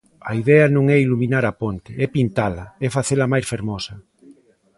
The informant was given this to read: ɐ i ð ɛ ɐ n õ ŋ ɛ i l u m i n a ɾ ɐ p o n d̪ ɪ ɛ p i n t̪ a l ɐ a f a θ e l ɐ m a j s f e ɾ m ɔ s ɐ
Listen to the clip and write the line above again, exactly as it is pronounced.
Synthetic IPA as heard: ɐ i ð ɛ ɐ n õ ŋ ɛ i l u m i n a ɾ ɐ p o n t̪ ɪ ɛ p i n t̪ a l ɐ ɛ f a θ e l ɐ m a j s f e ɾ m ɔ s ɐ